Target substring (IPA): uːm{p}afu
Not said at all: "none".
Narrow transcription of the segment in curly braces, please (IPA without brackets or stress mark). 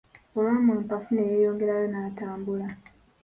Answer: p